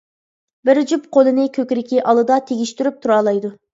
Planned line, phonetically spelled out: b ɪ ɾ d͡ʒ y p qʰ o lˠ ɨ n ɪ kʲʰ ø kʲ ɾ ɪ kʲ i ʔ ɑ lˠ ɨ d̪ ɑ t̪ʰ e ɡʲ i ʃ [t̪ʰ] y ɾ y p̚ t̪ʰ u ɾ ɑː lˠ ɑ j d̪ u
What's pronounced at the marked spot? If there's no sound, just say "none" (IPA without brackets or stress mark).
t̪